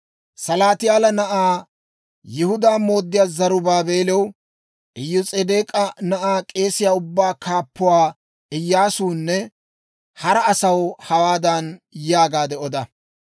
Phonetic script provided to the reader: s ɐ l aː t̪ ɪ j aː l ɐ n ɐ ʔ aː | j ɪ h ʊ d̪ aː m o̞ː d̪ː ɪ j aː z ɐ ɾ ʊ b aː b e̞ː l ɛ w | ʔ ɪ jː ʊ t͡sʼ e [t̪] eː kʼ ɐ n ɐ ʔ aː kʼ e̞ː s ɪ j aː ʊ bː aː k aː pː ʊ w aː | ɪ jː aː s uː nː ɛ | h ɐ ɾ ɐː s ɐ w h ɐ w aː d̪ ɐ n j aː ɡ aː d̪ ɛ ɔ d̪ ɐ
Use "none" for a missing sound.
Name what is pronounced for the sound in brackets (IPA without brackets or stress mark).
d̪